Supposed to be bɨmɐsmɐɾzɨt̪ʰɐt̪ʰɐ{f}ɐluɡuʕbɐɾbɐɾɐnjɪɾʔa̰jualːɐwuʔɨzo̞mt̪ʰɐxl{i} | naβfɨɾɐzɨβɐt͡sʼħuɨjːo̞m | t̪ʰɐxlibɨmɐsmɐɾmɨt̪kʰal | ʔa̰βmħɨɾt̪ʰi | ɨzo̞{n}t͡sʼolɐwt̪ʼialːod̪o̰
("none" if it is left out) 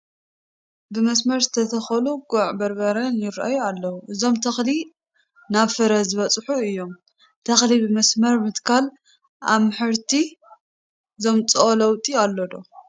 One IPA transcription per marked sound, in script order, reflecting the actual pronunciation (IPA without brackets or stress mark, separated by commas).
x, i, m